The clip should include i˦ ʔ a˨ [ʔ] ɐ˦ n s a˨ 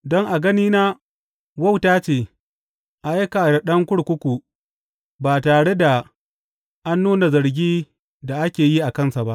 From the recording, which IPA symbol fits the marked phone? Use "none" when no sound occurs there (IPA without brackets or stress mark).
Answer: k